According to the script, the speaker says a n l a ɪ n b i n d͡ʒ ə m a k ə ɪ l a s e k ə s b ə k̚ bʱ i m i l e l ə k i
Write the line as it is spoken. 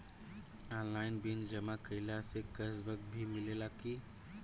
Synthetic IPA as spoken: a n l a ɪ n b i n d͡ʒ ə m a k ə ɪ l a s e k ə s b ə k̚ bʱ i m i l e l a k i